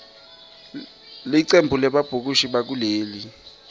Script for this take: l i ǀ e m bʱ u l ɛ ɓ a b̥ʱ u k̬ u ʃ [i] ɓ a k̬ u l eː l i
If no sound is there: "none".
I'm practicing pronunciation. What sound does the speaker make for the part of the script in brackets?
i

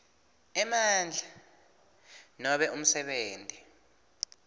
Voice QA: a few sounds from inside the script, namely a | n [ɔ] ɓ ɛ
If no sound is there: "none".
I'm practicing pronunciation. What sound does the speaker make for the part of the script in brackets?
ɔ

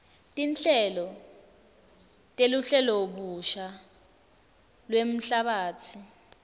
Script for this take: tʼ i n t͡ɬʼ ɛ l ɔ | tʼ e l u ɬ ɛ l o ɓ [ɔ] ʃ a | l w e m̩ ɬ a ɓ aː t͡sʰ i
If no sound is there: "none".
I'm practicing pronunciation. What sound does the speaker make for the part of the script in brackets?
u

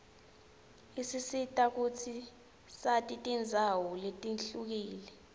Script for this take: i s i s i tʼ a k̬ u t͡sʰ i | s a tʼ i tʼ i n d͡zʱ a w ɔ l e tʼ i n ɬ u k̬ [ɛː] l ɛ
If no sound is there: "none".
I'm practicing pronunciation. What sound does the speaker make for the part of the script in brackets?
iː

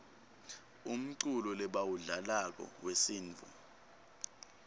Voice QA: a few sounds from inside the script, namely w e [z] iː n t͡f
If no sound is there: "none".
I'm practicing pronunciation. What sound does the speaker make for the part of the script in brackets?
s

